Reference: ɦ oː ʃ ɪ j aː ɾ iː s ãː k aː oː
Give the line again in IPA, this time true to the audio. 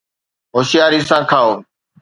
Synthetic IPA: ɦ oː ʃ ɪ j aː ɾ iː s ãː kʰ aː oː